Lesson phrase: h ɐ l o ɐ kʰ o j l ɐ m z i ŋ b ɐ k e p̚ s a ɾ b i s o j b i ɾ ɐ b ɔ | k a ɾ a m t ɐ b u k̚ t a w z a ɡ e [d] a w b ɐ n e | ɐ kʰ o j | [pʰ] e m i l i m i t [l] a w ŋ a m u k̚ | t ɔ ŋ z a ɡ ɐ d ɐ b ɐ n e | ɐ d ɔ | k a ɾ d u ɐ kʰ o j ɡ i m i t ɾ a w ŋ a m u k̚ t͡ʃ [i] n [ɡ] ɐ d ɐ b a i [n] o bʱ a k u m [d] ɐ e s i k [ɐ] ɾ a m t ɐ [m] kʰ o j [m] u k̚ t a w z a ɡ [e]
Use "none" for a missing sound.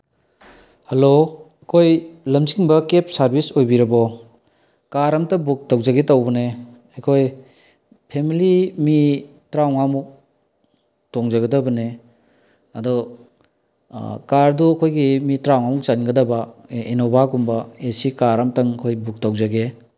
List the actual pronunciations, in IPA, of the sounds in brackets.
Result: t, pʰ, ɾ, a, ɡ, n, b, a, ŋ, b, e

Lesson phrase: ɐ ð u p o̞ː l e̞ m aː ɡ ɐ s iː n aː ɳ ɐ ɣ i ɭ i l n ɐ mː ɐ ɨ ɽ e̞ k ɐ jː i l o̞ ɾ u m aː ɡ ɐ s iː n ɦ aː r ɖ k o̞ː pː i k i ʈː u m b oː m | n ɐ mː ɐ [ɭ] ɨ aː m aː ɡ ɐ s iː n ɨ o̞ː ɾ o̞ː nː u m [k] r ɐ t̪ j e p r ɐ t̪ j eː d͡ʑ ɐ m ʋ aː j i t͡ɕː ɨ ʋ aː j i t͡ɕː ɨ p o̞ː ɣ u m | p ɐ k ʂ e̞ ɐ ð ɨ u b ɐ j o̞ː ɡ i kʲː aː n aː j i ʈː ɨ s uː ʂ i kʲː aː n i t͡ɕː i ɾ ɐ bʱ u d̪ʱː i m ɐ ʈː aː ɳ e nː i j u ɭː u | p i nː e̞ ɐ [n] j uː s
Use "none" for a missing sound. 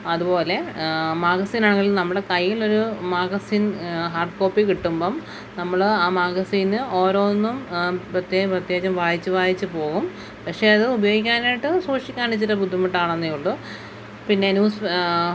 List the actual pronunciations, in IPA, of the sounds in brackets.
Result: ɭ, p, n

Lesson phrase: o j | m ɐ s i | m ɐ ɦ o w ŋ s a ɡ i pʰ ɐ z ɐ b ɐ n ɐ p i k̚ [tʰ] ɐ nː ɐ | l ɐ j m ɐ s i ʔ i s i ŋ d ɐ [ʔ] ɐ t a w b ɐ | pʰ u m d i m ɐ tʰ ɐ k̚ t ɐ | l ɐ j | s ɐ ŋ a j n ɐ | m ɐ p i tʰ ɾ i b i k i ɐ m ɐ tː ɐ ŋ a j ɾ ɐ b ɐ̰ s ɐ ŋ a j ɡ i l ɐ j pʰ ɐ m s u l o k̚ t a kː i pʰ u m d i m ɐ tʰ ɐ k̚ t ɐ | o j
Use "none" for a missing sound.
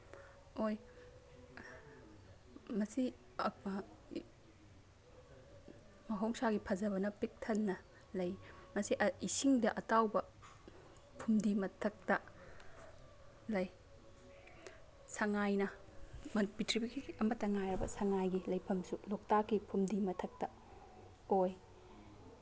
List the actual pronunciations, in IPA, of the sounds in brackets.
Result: tʰ, ʔ

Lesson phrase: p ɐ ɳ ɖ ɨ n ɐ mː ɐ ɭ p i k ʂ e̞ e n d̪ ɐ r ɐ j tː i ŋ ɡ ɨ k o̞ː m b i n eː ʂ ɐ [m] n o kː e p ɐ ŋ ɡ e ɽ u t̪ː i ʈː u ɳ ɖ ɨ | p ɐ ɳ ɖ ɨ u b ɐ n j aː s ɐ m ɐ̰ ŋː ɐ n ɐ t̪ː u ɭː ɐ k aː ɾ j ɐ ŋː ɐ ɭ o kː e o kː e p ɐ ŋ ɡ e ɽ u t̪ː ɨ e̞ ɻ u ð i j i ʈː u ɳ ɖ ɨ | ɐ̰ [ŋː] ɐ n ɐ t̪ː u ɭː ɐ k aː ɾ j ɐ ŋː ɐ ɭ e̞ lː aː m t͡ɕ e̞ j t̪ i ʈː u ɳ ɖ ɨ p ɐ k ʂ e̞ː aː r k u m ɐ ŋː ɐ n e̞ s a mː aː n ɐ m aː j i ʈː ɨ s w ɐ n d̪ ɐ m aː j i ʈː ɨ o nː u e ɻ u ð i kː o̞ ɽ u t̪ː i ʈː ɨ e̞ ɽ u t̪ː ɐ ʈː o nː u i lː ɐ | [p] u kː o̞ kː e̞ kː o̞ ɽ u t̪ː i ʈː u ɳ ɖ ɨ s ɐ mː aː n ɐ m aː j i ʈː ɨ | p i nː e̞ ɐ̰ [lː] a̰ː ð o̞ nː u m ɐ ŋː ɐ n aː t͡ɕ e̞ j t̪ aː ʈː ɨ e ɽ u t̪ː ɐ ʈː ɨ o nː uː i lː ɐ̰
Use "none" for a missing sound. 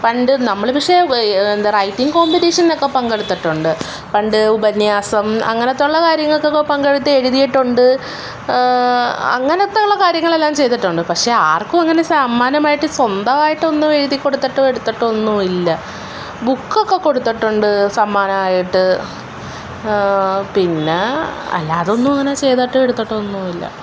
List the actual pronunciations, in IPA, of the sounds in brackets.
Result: n, ŋː, b, lː

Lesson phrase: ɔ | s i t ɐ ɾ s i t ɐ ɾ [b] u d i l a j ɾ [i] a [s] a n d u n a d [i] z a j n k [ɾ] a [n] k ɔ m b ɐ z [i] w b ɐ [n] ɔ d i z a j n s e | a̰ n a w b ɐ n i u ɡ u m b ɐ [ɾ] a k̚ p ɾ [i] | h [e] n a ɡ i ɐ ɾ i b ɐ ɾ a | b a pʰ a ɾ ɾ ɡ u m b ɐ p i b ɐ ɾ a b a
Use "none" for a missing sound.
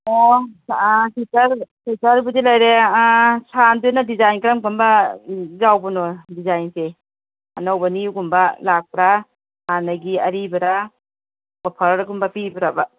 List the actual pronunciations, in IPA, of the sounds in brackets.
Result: b, e, s, i, ɾ, m, a, n, l, a, a

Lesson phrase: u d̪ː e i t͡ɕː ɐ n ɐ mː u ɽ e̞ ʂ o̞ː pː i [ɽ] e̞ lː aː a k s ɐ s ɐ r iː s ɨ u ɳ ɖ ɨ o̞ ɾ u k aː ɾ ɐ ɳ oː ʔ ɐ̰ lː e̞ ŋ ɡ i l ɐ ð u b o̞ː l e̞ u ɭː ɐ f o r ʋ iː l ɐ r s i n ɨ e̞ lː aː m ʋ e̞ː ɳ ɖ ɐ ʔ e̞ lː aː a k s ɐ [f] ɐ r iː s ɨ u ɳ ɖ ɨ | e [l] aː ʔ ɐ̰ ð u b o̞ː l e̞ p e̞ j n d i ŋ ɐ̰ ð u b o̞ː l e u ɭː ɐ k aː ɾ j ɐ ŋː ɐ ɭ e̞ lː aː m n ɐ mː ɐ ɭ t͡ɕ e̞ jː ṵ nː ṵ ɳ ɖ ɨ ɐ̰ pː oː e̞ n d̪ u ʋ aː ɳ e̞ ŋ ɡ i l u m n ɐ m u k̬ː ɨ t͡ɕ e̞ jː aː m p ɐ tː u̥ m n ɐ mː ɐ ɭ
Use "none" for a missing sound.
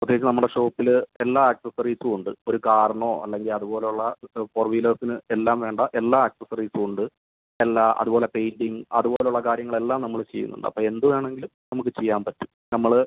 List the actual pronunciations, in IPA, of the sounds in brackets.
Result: l, s, lː

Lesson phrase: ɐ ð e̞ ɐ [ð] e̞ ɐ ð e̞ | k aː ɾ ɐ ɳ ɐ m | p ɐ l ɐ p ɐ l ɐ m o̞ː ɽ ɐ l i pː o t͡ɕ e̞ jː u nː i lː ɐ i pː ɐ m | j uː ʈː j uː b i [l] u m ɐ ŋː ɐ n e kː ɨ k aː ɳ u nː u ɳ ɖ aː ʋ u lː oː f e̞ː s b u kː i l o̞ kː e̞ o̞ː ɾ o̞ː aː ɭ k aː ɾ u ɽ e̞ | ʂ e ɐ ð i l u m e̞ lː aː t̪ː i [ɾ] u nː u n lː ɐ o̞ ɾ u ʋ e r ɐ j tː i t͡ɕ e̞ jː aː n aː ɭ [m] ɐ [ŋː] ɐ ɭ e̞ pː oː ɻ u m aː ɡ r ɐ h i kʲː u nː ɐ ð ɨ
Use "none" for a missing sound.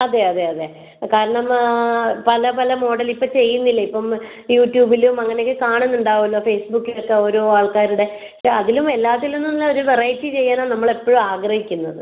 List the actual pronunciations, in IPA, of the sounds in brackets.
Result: ð, l, l, n, mː

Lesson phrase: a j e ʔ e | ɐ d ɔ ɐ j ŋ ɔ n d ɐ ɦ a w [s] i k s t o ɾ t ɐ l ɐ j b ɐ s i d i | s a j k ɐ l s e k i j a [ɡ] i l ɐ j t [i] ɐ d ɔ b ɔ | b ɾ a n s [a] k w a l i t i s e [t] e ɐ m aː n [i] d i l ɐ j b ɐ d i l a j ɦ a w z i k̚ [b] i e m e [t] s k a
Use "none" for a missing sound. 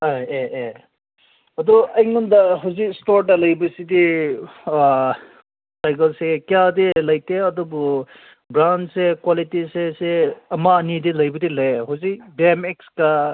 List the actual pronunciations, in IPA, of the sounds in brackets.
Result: z, d, e, e, s, i, b, k

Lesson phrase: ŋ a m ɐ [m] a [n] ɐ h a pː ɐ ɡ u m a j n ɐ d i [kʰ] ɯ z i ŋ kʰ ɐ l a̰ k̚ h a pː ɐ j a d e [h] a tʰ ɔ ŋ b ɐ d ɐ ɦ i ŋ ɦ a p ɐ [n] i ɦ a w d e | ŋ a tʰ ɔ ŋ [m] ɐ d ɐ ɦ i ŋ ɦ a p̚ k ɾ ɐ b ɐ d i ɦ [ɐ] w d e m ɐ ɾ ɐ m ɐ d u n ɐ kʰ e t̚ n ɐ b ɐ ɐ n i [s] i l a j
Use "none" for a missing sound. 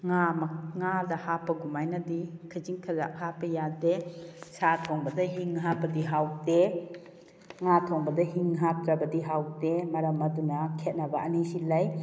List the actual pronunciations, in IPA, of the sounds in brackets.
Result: ŋ, d, kʰ, s, d, b, a, s

